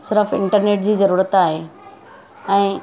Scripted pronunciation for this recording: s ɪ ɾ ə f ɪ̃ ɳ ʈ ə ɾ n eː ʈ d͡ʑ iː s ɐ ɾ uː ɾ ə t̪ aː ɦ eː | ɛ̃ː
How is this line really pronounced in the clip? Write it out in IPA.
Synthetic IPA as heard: s ɪ ɾ ə f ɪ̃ ɳ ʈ ə ɾ n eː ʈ d͡ʑ iː z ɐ ɾ uː ɾ ə t̪ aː ɦ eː | ɛ̃ː